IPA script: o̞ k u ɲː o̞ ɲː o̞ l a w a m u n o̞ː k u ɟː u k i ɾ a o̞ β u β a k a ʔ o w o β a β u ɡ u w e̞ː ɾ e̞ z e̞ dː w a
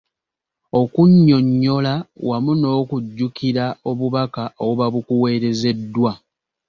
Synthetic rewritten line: o̞ k u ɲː o̞ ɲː o̞ l a w a m u n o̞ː k u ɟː u k i ɾ a o̞ β u β a k a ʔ o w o β a β u k u w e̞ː ɾ e̞ z e̞ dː w a